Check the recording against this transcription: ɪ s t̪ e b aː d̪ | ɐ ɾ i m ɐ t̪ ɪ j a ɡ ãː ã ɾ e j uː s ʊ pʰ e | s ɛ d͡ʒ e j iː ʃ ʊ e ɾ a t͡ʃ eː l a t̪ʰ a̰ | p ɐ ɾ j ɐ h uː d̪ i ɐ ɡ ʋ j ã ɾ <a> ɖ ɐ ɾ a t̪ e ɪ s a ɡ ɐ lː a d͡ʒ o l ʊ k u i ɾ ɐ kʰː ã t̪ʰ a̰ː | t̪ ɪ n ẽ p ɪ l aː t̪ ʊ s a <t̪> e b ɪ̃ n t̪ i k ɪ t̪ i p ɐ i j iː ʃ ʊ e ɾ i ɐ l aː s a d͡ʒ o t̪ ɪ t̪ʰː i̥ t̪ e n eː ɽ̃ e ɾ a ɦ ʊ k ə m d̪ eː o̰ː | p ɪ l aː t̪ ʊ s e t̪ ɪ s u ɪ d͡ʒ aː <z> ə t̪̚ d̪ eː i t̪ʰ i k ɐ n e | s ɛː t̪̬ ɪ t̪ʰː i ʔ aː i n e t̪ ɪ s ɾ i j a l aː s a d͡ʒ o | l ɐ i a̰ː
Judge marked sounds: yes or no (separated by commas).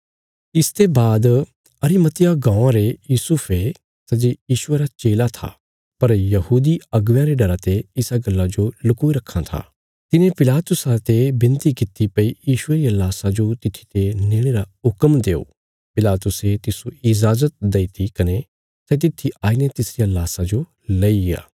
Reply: no, yes, yes